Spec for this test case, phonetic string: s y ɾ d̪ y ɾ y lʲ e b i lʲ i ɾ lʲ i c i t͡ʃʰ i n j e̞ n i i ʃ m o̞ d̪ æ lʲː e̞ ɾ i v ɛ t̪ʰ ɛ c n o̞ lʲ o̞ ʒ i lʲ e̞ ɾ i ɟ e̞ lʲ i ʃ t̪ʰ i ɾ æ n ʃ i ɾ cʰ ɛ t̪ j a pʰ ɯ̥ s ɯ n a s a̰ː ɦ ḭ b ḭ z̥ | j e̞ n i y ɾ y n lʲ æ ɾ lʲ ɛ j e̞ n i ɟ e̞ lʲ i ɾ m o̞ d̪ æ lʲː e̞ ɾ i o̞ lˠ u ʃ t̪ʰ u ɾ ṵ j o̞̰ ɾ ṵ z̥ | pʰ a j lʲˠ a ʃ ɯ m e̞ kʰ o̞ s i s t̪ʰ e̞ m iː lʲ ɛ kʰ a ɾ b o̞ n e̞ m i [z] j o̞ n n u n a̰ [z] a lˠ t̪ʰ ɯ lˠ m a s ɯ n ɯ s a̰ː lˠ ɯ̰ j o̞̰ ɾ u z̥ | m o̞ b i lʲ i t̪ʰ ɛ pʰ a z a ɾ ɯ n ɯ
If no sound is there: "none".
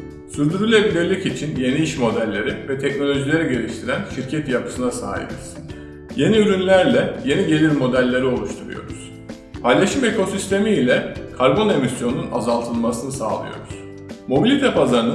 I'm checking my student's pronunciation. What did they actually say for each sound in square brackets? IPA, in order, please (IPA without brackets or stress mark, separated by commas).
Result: s, z